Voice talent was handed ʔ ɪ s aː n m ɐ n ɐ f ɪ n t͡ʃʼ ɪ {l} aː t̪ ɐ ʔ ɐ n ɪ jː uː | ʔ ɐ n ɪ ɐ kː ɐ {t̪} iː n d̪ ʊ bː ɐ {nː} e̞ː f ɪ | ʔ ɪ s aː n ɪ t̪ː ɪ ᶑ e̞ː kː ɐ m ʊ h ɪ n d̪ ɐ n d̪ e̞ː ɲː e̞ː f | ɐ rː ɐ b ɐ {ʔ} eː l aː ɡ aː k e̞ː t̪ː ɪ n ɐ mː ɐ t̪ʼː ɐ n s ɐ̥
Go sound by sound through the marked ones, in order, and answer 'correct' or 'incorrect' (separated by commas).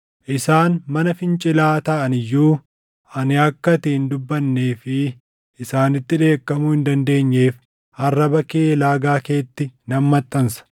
correct, correct, correct, incorrect